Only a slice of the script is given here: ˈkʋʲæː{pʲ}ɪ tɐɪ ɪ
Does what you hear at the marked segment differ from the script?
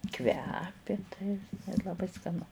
no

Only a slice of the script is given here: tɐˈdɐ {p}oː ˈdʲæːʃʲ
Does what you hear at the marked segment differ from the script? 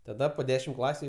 no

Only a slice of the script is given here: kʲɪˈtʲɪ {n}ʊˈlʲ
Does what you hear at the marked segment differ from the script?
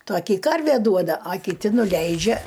no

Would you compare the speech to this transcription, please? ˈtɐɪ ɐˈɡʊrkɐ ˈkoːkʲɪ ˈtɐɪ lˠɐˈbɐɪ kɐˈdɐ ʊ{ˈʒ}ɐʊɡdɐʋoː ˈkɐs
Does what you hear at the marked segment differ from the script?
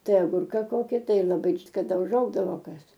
no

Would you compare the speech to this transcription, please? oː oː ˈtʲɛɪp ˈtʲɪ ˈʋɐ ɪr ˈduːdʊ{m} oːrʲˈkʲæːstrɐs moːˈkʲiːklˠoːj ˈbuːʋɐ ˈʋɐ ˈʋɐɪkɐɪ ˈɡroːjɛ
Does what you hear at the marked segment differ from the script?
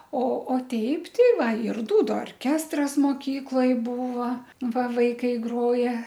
yes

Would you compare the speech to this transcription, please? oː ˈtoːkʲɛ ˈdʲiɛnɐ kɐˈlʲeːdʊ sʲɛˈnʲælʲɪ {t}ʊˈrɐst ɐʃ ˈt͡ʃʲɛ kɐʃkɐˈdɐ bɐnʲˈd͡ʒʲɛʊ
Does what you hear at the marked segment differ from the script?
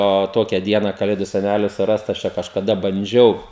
yes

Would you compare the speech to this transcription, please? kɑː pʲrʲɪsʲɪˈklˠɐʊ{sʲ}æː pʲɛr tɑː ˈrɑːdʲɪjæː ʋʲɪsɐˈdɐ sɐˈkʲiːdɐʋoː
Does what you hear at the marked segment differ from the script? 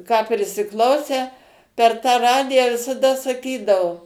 no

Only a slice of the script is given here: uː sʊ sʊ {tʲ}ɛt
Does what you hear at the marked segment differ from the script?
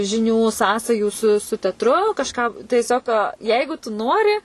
no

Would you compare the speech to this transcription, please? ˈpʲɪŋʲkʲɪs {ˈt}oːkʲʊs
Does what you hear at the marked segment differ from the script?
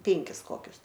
yes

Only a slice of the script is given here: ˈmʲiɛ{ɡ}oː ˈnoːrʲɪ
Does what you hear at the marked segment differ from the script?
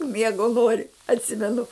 no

